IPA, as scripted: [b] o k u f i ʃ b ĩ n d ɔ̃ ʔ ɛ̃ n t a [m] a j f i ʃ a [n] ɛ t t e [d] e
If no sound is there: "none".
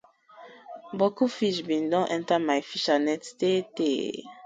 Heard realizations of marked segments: b, m, n, t

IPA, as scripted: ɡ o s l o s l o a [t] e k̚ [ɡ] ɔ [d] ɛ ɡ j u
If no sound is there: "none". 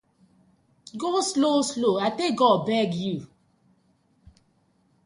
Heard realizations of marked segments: t, ɡ, b

